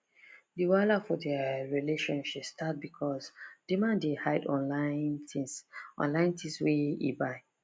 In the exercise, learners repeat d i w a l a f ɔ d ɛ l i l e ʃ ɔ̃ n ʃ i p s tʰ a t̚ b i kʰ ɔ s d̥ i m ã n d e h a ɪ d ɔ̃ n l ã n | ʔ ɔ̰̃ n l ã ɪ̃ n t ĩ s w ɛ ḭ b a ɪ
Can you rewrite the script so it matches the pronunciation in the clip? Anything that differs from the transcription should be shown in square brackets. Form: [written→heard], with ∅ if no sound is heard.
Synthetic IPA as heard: d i w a l a f ɔ d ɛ [l→ɹ] i l e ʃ ɔ̃ n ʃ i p s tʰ a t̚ b i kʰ ɔ s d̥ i m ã n d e h a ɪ d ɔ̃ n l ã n | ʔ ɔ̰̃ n l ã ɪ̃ n t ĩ s w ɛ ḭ b a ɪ